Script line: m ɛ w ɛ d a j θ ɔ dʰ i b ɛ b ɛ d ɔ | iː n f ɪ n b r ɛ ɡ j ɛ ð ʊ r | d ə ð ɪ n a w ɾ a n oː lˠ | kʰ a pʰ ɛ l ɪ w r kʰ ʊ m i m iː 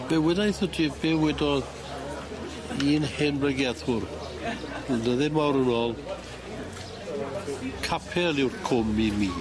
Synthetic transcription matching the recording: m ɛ w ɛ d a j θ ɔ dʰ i b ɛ w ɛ d ɔ | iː n h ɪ n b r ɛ ɡ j ɛ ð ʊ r | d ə ð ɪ m a w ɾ ə n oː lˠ | kʰ a pʰ ɛ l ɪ w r kʰ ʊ m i m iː